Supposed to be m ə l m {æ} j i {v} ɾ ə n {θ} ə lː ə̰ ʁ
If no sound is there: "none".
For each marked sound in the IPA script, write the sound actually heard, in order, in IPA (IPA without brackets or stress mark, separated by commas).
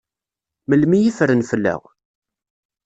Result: i, f, f